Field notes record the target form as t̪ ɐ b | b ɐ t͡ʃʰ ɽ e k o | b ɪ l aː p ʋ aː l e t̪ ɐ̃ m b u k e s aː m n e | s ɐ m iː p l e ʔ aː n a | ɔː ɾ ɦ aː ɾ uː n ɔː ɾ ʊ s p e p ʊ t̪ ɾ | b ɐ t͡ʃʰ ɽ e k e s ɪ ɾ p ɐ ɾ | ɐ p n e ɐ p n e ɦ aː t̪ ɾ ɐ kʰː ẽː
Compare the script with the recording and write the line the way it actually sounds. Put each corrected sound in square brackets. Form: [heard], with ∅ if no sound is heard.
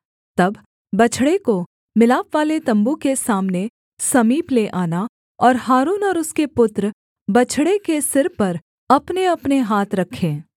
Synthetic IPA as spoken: t̪ ɐ b | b ɐ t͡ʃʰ ɽ e k o | [m] ɪ l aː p ʋ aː l e t̪ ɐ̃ m b u k e s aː m n e | s ɐ m iː p l e ʔ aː n a | ɔː ɾ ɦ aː ɾ uː n ɔː ɾ ʊ s [k] e p ʊ t̪ ɾ | b ɐ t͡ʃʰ ɽ e k e s ɪ ɾ p ɐ ɾ | ɐ p n e ɐ p n e ɦ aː t̪ ɾ ɐ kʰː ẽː